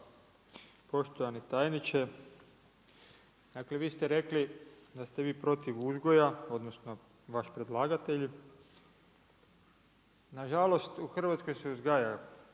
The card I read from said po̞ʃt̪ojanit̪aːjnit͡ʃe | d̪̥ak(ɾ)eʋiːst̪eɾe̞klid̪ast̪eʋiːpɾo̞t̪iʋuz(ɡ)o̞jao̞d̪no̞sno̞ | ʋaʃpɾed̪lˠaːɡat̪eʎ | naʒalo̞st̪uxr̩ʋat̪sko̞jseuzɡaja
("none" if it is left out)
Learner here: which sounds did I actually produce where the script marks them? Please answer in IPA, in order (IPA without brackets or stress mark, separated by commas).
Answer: l, ɡ